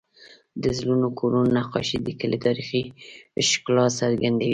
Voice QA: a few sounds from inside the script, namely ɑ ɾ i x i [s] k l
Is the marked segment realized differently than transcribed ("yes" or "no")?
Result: yes